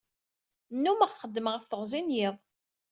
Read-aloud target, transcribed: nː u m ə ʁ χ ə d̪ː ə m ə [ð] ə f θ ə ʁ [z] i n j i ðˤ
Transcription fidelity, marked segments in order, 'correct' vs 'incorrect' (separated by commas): incorrect, correct